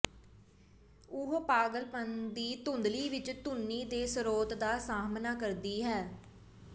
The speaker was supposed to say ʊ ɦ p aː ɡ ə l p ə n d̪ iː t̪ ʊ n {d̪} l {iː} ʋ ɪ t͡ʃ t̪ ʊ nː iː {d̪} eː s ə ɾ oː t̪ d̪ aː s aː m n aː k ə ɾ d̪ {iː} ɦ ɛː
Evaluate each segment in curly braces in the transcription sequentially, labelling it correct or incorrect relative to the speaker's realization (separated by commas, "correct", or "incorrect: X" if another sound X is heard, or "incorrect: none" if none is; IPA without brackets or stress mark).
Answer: correct, correct, correct, correct